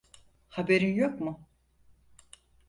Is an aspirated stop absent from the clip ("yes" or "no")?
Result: yes